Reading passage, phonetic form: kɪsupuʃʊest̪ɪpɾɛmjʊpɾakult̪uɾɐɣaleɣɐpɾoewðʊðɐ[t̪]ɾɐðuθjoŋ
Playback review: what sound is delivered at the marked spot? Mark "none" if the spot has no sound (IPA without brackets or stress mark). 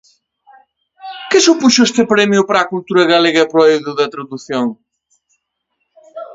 t̪